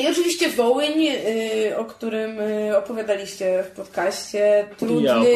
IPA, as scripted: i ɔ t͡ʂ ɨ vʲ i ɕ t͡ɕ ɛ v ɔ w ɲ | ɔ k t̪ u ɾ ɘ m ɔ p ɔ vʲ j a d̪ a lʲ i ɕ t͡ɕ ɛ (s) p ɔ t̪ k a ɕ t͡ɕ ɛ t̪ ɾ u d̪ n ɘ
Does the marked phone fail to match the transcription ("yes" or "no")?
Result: yes